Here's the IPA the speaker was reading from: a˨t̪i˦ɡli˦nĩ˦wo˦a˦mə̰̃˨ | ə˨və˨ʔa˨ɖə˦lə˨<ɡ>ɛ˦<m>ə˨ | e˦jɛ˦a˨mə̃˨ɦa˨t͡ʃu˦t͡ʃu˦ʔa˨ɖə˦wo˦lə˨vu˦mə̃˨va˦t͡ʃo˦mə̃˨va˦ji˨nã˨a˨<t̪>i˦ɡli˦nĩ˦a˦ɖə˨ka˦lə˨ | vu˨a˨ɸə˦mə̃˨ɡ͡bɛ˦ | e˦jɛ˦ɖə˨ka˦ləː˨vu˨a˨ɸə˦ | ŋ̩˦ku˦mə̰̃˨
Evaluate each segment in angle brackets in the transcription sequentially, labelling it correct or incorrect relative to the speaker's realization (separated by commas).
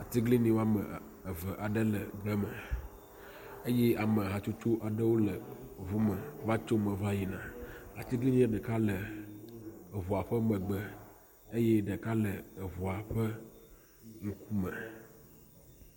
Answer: incorrect, correct, correct